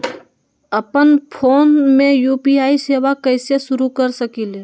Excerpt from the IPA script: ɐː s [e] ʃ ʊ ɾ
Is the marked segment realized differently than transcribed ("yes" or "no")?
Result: no